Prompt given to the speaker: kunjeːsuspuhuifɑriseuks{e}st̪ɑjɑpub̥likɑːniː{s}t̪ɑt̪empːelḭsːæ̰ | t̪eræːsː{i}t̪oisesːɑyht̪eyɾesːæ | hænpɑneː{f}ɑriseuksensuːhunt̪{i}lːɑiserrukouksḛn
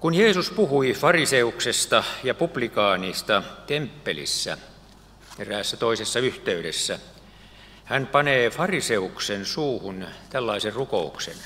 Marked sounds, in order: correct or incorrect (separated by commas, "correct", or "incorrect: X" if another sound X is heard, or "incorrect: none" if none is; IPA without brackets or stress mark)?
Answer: correct, correct, incorrect: æ, correct, incorrect: æ